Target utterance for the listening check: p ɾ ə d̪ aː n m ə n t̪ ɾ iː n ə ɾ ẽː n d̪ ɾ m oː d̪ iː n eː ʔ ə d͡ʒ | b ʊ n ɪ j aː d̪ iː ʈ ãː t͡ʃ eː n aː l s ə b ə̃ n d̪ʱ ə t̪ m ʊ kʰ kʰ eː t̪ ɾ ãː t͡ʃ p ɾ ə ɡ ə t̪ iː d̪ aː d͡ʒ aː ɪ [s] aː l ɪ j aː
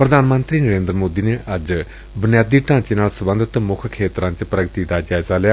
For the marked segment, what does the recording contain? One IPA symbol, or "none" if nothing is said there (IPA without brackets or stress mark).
z